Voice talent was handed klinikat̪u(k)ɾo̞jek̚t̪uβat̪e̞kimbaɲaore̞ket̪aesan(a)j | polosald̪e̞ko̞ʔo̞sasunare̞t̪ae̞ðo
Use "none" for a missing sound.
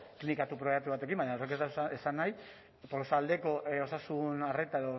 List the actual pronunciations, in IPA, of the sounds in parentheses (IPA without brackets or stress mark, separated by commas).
p, a